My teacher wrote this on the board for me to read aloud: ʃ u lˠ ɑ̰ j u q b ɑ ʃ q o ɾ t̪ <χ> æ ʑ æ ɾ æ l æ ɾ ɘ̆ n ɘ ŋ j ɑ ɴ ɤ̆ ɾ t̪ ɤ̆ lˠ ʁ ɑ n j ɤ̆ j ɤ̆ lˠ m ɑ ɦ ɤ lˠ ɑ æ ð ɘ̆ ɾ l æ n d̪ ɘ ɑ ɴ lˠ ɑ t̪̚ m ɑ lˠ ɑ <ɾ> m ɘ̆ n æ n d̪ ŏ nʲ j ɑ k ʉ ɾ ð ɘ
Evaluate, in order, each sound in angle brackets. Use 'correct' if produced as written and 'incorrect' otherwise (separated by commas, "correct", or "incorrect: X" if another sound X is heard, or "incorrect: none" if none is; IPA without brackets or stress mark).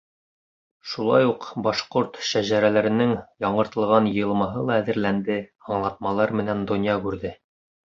incorrect: ʃ, correct